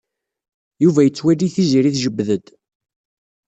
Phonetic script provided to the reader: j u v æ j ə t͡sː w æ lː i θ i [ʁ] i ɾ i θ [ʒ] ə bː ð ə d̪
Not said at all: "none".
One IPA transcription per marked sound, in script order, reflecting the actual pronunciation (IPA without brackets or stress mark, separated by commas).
z, ʒ